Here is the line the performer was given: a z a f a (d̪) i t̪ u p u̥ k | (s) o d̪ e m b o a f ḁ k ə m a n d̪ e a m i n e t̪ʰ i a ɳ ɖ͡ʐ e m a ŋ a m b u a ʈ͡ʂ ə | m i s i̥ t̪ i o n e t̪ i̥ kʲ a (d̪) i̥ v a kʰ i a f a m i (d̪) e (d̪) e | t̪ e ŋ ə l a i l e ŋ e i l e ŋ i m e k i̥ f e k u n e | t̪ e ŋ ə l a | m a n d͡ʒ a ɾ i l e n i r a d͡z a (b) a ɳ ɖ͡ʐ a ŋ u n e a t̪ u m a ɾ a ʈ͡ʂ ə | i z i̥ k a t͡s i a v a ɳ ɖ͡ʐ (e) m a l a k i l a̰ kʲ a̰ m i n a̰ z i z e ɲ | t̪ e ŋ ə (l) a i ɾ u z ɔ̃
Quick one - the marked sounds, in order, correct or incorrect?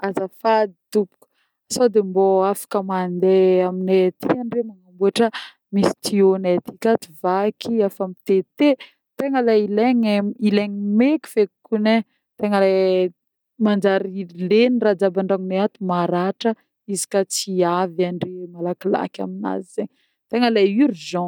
correct, correct, incorrect: t̪, incorrect: t̪, incorrect: t̪, correct, correct, correct

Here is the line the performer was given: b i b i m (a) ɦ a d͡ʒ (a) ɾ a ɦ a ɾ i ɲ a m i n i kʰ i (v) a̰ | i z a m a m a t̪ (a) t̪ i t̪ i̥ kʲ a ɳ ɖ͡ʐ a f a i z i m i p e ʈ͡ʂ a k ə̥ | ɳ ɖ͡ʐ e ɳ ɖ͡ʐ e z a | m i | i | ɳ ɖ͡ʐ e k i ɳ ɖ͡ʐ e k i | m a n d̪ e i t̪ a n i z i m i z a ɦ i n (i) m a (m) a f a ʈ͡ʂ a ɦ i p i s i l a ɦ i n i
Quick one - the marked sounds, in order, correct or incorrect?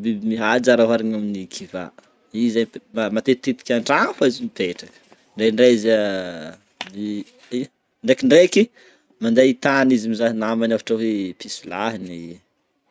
incorrect: i, correct, correct, incorrect: e, incorrect: a, incorrect: n

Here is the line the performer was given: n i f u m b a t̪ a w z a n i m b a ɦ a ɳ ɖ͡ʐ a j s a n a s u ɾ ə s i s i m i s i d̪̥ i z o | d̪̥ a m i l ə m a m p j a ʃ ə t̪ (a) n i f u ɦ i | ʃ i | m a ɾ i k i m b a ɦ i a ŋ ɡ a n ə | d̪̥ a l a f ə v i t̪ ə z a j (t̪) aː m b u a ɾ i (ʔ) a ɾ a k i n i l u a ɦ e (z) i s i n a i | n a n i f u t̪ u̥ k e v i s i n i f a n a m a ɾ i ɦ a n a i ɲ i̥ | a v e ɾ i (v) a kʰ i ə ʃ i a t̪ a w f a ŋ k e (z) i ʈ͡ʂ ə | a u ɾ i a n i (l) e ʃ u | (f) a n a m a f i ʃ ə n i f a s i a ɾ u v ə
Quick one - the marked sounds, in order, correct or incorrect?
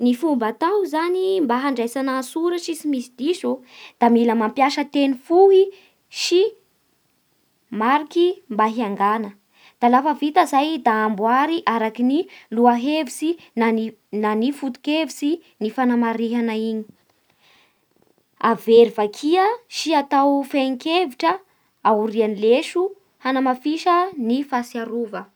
incorrect: e, incorrect: d̪, correct, incorrect: v, correct, incorrect: v, correct, incorrect: h

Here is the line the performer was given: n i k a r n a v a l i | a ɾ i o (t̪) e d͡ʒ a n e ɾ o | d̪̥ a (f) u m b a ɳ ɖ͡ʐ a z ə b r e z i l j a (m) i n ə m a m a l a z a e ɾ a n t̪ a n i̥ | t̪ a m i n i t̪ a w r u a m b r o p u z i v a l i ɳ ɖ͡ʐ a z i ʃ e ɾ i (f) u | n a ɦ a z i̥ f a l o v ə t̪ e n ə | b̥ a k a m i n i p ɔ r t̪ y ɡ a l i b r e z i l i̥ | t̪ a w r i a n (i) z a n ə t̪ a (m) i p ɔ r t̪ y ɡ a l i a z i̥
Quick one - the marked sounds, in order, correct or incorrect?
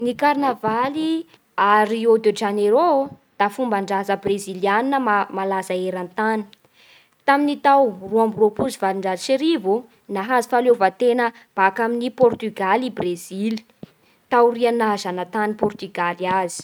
incorrect: d̪, correct, incorrect: n, incorrect: v, incorrect: a, incorrect: n

